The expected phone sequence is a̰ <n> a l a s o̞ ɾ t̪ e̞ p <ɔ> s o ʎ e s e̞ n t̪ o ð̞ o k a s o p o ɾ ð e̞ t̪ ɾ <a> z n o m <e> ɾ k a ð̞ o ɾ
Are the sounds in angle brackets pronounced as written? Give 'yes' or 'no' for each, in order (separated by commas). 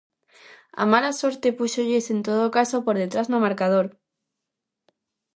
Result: no, no, yes, no